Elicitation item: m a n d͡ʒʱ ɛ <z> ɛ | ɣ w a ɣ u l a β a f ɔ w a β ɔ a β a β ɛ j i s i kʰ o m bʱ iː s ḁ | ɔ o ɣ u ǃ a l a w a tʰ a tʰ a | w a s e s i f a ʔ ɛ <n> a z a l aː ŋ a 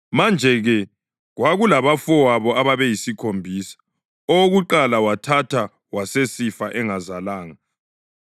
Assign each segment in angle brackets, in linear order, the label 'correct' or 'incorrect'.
incorrect, incorrect

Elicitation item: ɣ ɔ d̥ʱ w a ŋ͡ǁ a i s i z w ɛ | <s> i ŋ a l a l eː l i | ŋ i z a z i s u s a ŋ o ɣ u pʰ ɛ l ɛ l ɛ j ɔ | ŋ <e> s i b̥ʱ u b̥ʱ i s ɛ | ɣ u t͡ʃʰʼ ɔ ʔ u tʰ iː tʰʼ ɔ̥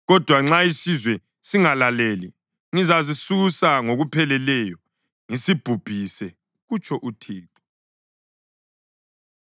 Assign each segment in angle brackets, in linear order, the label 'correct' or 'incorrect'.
correct, incorrect

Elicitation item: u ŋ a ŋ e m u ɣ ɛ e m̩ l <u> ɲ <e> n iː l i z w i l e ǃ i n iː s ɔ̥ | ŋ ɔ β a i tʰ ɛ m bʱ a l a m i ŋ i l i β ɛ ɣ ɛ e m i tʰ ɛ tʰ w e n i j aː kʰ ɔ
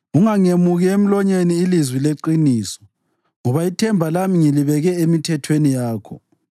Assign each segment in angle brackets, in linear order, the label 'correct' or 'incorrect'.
incorrect, correct

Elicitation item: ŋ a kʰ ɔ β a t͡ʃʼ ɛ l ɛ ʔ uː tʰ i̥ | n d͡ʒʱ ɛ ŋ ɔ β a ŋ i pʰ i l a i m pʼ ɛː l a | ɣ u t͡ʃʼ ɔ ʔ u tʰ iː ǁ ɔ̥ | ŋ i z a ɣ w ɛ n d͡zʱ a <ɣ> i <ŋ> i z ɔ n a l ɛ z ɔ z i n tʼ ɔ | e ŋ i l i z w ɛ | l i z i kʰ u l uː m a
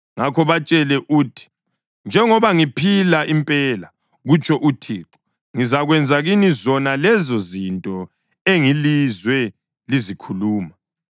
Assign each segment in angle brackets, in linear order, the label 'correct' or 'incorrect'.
correct, incorrect

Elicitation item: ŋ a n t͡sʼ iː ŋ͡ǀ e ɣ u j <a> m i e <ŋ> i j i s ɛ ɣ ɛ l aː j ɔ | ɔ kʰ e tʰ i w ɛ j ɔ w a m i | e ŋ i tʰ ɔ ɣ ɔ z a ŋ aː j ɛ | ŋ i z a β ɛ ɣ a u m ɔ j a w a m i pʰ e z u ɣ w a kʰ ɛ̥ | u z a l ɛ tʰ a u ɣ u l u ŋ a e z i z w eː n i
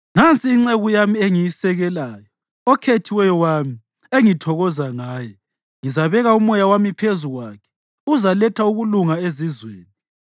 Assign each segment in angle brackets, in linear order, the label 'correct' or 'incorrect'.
correct, correct

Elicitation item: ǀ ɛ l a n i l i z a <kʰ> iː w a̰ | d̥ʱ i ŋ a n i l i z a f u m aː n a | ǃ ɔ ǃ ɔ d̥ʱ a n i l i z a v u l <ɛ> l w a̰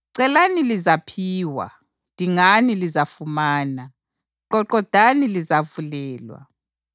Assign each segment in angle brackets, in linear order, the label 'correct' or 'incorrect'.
incorrect, incorrect

